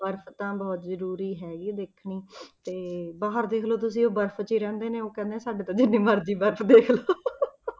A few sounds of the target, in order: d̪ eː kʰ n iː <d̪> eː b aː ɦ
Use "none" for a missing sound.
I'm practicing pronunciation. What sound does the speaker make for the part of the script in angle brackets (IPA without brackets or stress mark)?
t̪